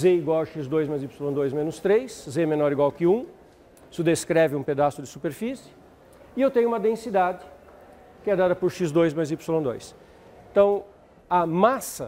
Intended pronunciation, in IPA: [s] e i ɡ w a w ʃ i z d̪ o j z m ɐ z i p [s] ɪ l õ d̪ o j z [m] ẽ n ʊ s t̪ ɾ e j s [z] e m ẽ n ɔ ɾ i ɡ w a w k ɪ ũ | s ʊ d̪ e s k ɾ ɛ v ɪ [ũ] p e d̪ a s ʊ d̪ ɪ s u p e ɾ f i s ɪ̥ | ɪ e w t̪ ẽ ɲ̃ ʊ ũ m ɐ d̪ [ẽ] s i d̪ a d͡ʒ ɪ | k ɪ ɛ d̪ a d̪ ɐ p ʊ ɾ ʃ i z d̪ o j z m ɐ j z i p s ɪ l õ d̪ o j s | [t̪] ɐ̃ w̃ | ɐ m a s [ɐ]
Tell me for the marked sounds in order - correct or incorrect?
incorrect, correct, correct, correct, correct, correct, correct, correct

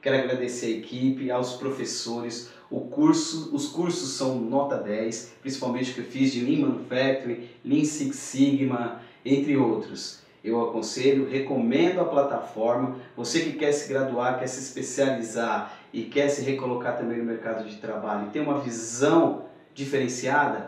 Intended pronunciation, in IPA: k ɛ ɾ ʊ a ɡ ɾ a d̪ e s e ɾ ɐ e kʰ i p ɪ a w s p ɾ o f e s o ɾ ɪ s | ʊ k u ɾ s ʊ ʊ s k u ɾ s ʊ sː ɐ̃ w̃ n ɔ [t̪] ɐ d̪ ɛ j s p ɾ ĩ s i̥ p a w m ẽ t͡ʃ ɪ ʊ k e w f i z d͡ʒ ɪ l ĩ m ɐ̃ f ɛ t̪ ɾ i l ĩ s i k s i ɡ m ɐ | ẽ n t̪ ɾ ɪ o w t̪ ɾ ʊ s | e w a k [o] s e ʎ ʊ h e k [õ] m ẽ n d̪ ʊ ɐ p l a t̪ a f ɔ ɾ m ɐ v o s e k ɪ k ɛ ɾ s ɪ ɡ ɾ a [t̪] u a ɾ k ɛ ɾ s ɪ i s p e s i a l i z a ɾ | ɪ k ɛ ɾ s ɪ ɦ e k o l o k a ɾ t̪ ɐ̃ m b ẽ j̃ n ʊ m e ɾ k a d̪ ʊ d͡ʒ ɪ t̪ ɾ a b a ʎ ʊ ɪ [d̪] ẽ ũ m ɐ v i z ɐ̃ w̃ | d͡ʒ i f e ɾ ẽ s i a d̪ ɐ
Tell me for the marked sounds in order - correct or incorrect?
correct, incorrect, incorrect, incorrect, incorrect

